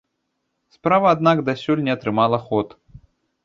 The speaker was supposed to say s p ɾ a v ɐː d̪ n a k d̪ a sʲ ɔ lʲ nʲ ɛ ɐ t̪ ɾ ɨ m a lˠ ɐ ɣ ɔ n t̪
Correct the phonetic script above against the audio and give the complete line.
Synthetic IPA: s p ɾ a v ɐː d̪ n a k d̪ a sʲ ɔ lʲ nʲ ɛ ɐ t̪ ɾ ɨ m a lˠ ɐ x ɔ t̪